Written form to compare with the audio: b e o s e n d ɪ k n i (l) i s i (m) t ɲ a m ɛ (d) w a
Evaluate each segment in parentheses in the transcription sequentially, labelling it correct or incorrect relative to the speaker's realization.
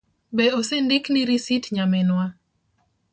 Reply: incorrect, incorrect, incorrect

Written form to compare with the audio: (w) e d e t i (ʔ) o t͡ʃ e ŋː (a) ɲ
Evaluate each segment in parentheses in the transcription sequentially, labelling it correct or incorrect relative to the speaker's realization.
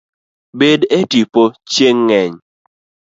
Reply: incorrect, incorrect, incorrect

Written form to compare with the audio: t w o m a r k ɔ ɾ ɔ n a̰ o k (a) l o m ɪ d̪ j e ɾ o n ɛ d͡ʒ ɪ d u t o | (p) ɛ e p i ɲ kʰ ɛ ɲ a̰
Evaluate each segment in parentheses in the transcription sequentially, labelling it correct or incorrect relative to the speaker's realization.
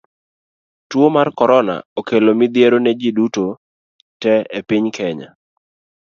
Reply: incorrect, incorrect

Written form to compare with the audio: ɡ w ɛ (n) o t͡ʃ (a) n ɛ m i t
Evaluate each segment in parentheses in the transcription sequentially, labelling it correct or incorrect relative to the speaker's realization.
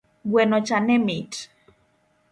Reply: correct, correct

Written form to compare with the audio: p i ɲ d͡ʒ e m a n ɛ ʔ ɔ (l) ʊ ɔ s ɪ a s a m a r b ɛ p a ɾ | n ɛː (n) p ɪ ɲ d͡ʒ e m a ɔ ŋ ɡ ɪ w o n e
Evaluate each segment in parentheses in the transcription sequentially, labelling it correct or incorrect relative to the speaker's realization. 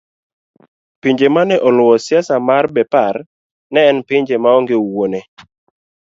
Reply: correct, correct

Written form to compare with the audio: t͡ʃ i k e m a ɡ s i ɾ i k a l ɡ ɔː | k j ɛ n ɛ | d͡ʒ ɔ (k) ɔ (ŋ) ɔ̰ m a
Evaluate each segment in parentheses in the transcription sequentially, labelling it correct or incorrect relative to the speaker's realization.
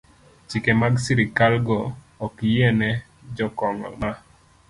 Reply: correct, correct

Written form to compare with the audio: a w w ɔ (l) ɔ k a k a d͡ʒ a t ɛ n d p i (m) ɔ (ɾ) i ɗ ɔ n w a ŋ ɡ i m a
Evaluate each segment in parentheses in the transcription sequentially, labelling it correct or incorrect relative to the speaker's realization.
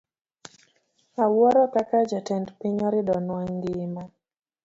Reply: incorrect, incorrect, correct

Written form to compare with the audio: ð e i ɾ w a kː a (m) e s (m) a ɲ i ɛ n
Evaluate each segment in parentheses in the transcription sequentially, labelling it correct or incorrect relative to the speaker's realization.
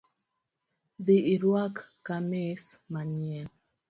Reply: correct, correct

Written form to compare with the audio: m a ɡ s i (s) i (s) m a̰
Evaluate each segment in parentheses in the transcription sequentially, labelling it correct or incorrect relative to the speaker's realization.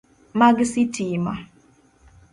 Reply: incorrect, incorrect

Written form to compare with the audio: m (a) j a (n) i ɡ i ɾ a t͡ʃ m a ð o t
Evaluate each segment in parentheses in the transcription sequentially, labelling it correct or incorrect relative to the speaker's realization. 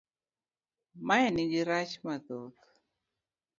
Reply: correct, correct

